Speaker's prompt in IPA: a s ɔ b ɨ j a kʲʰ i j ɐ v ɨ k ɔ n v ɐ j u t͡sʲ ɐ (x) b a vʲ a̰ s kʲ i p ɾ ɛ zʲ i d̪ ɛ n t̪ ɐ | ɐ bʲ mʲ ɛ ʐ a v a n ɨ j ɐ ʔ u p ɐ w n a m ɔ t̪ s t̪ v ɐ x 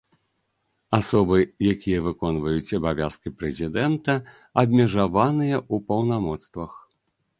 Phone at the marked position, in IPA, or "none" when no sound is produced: none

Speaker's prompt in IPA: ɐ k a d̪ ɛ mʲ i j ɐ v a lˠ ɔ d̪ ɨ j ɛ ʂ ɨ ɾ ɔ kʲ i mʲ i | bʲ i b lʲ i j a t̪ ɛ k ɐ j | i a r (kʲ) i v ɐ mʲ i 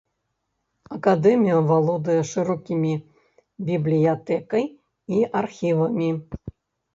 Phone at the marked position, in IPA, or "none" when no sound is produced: xʲ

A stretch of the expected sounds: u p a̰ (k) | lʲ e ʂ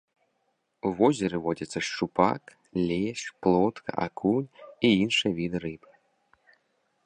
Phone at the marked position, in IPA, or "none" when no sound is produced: k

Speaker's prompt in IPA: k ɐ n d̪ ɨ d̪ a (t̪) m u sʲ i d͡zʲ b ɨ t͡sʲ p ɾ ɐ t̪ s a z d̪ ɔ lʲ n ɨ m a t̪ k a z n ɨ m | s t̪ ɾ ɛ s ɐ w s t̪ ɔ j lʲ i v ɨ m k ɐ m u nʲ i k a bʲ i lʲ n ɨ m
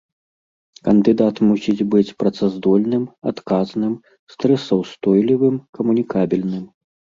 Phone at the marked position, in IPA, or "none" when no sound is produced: t̪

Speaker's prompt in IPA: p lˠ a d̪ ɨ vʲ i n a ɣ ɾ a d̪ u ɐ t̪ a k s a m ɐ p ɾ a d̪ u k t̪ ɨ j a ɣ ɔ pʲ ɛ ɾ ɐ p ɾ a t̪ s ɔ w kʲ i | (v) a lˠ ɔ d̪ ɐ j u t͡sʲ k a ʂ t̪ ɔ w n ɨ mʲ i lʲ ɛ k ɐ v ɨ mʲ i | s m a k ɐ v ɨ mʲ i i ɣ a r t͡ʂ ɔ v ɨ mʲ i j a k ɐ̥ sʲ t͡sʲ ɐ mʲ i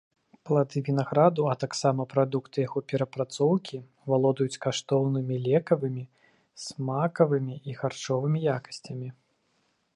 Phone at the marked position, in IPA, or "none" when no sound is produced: v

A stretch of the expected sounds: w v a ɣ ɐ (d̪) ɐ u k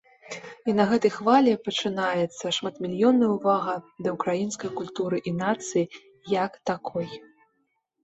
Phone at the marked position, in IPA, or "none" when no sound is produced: d̪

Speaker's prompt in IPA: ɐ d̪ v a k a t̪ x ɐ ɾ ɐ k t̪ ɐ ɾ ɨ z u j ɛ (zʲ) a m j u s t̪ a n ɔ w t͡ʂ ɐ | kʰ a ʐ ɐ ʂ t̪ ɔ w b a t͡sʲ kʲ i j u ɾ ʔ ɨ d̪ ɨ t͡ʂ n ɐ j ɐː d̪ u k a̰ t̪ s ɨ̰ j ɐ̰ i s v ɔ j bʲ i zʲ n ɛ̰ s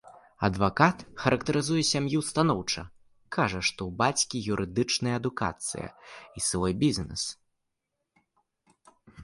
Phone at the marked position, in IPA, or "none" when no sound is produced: sʲ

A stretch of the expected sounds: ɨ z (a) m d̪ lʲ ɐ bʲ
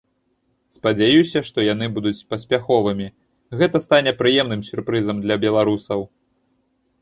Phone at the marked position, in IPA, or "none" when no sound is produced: ɐ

